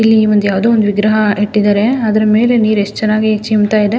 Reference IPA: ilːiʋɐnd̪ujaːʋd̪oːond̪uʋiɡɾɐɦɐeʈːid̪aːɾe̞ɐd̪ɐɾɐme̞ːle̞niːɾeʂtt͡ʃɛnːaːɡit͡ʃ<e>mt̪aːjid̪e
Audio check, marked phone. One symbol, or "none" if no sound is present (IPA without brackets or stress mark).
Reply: i